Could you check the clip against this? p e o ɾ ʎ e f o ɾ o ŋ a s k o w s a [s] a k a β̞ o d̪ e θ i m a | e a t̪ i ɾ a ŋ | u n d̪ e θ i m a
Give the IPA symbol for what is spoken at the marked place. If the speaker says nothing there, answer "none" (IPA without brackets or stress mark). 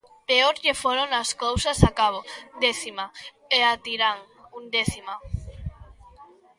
s